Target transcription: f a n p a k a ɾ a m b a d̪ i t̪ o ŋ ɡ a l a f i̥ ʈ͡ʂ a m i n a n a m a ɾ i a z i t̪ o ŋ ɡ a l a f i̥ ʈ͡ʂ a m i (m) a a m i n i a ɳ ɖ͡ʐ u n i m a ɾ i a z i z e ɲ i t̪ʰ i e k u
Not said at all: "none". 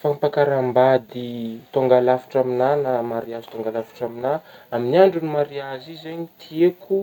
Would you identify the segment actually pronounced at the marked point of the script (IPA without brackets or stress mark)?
n